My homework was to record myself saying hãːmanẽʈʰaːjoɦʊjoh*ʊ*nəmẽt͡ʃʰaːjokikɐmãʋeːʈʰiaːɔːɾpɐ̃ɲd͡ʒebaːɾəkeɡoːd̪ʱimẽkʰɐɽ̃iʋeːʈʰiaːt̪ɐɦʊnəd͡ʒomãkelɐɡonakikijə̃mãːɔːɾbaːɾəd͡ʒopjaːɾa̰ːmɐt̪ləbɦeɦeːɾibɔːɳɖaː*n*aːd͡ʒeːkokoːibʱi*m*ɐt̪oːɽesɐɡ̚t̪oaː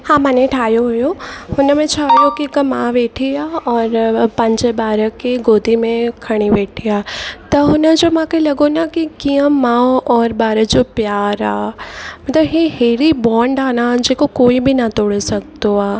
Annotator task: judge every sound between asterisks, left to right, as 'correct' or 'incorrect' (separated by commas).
correct, correct, incorrect